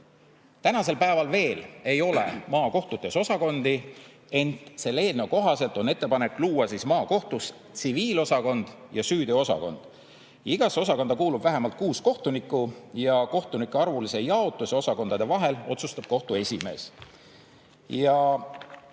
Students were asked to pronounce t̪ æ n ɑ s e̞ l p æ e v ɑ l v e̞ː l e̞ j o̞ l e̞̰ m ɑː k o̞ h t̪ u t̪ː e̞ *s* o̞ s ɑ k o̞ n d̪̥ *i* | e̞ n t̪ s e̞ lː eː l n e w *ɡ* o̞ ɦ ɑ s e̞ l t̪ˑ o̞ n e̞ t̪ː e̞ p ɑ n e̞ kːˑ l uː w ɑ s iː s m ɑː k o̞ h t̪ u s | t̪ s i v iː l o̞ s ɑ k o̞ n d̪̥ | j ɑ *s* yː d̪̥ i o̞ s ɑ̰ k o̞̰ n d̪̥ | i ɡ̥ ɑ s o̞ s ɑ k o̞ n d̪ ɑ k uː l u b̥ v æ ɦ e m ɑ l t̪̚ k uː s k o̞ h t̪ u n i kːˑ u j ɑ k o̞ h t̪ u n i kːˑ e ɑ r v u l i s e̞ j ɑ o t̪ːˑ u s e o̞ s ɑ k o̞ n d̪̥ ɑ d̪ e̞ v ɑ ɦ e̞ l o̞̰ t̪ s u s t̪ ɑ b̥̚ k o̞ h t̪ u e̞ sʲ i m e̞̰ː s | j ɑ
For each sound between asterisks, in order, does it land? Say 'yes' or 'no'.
yes, yes, no, yes

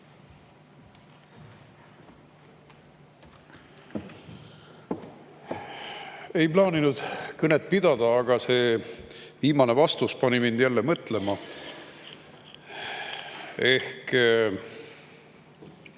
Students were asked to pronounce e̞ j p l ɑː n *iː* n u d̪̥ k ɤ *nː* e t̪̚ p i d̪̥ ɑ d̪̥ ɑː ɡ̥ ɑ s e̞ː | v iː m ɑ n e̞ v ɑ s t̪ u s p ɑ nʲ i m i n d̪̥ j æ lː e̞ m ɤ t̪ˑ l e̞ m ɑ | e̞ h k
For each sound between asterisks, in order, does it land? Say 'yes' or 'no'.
no, no

